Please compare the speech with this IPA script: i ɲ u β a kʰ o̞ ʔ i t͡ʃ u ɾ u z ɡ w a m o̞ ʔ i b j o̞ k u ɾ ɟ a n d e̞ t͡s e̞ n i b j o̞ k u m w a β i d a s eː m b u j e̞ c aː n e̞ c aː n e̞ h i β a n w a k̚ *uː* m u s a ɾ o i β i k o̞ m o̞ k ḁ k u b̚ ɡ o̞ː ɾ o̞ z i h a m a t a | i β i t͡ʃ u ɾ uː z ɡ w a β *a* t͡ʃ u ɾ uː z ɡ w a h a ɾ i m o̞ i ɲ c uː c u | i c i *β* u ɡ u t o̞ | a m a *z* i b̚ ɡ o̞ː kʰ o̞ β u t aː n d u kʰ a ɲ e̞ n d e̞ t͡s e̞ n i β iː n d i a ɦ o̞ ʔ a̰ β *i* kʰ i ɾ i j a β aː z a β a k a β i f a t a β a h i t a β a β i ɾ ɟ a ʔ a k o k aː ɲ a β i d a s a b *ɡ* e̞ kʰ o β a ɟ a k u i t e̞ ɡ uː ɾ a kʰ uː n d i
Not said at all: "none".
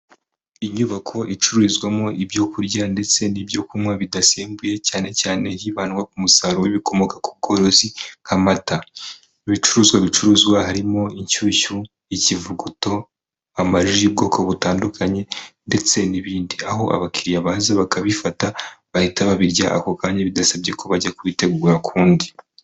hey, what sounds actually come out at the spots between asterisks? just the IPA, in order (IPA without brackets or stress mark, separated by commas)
u, i, v, ʒ, a, ɟ